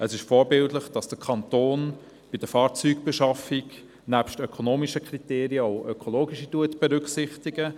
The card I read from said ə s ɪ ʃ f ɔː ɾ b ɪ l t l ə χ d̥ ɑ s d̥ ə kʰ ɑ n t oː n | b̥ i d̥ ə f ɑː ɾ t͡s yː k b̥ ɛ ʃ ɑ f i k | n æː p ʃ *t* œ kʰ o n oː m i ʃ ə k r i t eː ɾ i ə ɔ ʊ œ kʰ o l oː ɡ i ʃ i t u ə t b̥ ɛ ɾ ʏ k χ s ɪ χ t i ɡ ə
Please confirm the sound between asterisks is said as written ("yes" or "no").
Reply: yes